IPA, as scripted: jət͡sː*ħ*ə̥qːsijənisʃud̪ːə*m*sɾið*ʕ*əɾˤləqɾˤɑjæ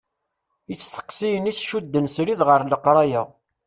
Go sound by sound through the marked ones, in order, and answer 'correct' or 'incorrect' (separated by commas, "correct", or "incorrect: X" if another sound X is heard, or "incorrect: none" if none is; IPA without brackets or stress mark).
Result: incorrect: θ, incorrect: n, incorrect: ʁ